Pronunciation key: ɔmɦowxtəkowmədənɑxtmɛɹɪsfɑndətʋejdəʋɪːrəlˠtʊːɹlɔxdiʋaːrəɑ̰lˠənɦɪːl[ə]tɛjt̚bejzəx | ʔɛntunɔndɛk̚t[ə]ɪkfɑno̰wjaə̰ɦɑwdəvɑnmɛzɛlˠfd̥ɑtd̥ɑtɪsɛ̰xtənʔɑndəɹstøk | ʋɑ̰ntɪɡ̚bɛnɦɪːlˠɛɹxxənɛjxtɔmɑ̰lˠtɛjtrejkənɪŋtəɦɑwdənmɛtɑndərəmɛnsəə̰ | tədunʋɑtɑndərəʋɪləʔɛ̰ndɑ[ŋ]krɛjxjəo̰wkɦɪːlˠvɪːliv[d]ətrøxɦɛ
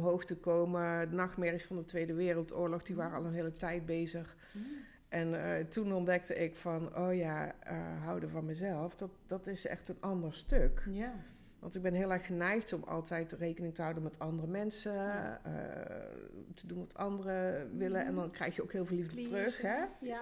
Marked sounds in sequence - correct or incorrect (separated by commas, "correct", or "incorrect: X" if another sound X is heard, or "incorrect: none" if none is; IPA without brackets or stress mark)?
correct, correct, incorrect: n, correct